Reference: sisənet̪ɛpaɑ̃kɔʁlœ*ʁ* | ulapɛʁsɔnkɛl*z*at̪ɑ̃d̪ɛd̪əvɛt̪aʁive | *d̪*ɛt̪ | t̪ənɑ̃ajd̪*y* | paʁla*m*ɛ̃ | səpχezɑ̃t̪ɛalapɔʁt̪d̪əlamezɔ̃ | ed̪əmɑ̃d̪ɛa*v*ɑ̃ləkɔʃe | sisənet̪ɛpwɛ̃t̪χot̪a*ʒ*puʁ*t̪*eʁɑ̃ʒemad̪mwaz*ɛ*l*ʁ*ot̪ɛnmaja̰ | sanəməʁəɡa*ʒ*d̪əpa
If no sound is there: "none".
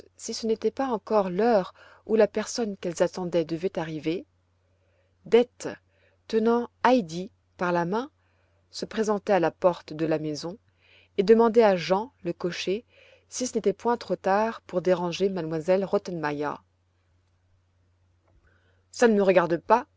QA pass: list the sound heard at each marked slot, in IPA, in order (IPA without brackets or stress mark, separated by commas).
ʁ, z, d̪, i, m, ʒ, ʁ, d̪, ɛ, ʁ, ʁ